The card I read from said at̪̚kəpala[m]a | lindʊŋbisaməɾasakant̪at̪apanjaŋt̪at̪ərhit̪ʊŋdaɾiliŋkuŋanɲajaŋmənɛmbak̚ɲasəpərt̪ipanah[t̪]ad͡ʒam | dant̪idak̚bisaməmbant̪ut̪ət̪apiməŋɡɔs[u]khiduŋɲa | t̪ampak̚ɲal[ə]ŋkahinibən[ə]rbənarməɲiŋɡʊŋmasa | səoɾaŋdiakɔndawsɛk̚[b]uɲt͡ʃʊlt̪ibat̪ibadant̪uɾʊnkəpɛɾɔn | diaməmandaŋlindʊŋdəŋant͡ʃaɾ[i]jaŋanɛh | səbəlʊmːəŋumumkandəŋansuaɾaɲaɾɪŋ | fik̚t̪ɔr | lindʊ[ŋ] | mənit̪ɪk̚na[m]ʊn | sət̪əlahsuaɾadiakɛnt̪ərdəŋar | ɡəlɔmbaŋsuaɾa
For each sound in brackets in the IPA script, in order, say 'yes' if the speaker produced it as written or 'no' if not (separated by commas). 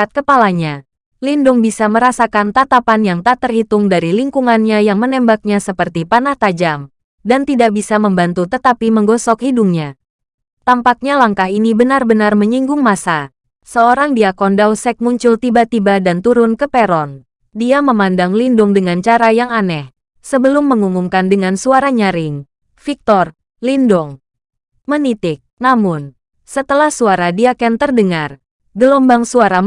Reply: no, yes, no, no, no, no, no, yes, yes